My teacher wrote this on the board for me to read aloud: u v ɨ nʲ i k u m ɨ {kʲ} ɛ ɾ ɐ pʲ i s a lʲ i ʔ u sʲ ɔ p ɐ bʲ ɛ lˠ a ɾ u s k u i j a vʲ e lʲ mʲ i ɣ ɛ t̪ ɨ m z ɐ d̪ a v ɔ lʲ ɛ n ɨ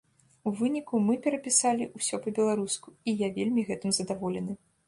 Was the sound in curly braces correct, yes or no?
no